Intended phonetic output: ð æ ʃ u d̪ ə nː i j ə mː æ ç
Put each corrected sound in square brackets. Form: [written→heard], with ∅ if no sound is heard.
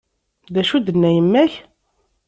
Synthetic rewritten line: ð æ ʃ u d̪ ə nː [i→æ] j ə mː æ ç